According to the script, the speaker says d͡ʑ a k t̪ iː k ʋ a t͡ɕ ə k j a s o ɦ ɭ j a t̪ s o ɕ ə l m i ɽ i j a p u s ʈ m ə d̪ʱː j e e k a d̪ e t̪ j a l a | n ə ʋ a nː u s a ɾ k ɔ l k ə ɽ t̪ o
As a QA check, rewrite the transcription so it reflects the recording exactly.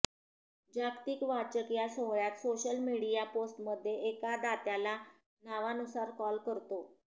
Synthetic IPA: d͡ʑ a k t̪ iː k ʋ a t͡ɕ ə k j a s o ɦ ɭ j a t̪ s o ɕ ə l m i ɽ i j a p o s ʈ m ə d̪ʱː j e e k a d̪ a t̪ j a l a | n a ʋ a n u s a ɾ k ɔ l k ə ɾ t̪ o